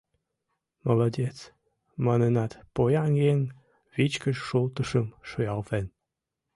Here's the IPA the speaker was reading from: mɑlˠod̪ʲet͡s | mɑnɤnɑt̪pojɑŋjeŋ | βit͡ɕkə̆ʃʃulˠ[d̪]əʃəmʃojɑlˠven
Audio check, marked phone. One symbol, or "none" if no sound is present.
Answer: t̪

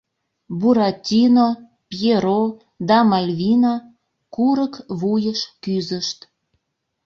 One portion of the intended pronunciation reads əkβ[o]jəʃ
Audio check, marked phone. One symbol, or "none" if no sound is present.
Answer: u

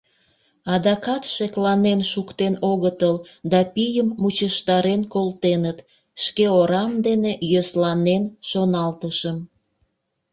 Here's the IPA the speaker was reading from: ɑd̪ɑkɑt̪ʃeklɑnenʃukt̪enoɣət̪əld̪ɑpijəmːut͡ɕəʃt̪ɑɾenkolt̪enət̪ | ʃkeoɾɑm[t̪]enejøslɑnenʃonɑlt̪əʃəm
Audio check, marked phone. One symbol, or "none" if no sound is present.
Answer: d̪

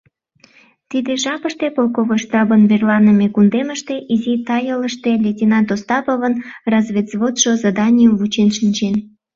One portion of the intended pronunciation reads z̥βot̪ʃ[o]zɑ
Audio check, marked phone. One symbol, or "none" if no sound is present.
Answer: o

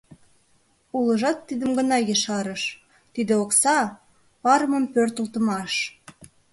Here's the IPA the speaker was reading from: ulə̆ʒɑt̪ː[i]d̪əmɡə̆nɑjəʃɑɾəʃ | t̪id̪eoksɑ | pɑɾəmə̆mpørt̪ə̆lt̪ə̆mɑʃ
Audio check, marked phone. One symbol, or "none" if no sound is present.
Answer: i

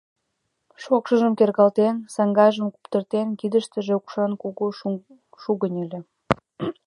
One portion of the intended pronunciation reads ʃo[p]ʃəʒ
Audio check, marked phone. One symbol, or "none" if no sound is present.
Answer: k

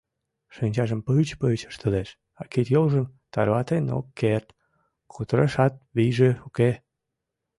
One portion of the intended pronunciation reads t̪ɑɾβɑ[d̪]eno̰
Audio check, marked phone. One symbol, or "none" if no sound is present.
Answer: t̪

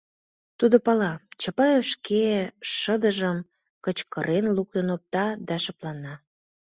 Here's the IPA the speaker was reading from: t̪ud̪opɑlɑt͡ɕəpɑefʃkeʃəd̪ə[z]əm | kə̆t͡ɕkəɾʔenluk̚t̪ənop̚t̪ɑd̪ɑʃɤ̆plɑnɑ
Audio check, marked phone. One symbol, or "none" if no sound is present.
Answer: ʒ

